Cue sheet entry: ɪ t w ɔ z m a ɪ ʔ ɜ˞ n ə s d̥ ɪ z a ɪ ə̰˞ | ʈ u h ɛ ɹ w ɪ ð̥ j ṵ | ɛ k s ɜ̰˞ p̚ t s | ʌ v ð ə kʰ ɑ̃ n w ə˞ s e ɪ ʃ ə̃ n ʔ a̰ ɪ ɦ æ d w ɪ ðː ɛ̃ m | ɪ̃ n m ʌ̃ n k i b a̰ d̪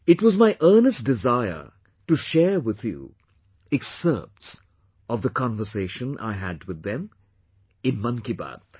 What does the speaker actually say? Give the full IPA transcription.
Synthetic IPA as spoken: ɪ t w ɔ z m a ɪ ʔ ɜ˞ n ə s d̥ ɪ z a ɪ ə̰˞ | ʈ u ʃ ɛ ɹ w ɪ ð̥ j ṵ | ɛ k s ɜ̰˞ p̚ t s | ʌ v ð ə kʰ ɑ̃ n v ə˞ s e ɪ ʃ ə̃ n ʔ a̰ ɪ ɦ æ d w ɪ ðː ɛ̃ m | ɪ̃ n m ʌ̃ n k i b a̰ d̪